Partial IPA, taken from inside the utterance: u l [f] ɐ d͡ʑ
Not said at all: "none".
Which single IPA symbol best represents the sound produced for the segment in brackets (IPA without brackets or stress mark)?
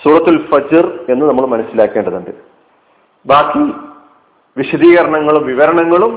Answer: f